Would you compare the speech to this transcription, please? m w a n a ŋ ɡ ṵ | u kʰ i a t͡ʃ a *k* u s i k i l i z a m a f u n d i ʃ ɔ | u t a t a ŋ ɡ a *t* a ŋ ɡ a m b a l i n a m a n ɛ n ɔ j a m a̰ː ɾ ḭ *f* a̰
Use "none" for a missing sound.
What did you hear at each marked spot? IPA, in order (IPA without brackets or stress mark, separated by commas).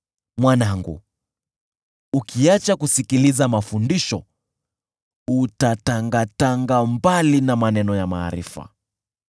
k, t, f